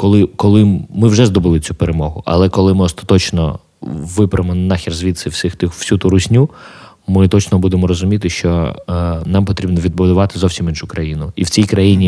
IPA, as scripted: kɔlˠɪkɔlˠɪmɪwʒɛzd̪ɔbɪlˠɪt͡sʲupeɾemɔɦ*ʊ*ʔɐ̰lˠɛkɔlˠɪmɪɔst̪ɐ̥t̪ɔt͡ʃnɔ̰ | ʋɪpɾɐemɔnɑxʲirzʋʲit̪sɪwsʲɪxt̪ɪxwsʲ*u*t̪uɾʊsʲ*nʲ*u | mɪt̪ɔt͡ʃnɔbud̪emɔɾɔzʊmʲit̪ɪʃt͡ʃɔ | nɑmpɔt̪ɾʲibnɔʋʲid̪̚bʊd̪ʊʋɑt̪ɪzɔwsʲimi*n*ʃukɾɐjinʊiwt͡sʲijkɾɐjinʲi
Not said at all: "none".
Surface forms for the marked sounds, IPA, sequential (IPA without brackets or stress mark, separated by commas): ʊ, u, nʲ, n